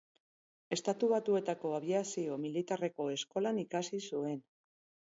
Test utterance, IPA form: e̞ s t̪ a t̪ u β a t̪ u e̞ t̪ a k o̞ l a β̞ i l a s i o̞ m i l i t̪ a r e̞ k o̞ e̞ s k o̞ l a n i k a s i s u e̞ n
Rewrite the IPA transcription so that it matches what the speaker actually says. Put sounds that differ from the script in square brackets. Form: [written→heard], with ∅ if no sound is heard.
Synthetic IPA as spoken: e̞ s t̪ a t̪ u β a t̪ u e̞ t̪ a k o̞ [l→∅] a β̞ i [l→∅] a s i o̞ m i l i t̪ a r e̞ k o̞ e̞ s k o̞ l a n i k a s i s u e̞ n